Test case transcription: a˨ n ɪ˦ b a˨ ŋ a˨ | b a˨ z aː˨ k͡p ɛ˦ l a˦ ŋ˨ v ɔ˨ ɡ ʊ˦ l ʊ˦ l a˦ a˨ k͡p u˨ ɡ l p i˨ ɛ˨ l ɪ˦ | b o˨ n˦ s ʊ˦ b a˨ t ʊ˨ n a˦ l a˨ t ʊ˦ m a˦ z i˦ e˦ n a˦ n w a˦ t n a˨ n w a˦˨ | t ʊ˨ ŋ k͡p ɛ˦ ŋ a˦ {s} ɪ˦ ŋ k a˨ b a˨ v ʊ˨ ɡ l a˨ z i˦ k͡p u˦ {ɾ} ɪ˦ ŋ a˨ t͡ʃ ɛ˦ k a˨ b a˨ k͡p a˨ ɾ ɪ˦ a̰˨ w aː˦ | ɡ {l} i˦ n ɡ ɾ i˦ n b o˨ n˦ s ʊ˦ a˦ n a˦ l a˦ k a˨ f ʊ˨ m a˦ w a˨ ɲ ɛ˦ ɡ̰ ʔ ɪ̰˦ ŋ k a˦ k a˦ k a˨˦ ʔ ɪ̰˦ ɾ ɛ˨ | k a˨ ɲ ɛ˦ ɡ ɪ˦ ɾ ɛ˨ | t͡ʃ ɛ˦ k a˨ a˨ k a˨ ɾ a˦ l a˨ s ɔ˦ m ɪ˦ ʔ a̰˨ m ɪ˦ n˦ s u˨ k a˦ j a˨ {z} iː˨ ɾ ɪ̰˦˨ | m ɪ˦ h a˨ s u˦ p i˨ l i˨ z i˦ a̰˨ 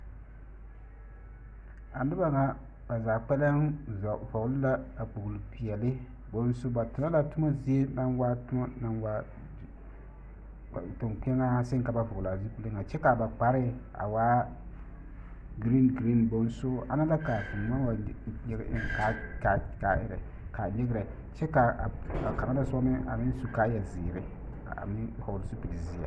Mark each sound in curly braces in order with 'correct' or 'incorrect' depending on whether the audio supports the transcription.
correct, incorrect, incorrect, correct

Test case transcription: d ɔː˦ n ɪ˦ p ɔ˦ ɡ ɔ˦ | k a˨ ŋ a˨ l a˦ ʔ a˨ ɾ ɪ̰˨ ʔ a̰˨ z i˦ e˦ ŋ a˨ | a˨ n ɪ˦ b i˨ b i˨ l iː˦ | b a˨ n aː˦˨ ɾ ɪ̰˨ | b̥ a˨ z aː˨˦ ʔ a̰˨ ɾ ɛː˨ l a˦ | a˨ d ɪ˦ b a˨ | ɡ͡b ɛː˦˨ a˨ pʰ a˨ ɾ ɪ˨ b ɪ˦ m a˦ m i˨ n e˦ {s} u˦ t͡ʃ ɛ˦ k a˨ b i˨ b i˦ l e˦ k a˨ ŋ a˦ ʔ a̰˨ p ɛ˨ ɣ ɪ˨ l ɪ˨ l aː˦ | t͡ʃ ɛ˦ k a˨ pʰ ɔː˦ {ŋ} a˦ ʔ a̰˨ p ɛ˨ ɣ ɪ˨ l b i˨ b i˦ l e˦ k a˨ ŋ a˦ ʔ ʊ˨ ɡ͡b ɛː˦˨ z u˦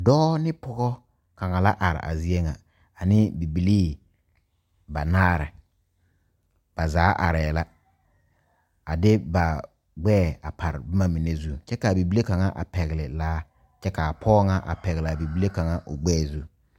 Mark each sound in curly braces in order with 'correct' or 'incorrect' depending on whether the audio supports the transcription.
incorrect, correct

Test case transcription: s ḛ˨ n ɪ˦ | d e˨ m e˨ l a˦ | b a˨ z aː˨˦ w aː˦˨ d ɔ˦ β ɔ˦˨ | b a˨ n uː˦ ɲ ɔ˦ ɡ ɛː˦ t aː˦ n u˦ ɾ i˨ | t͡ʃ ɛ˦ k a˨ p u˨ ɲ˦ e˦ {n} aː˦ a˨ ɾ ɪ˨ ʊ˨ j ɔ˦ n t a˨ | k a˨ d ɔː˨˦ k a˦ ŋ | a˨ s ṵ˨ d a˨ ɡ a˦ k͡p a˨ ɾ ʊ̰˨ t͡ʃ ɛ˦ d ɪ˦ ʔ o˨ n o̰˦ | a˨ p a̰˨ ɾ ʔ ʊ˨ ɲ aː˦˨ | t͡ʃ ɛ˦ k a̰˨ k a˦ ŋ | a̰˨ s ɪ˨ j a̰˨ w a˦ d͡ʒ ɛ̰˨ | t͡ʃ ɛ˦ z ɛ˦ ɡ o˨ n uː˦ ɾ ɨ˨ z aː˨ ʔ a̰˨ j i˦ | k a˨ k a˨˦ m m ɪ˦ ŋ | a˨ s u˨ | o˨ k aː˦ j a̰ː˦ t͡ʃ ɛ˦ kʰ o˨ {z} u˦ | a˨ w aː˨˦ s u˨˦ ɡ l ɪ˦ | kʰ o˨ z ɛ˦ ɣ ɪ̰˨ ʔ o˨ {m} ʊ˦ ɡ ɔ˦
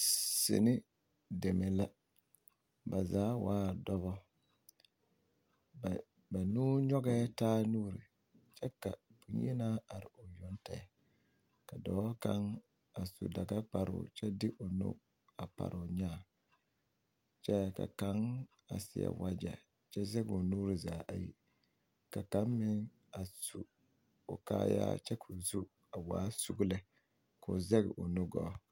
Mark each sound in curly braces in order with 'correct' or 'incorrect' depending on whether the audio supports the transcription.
correct, correct, incorrect

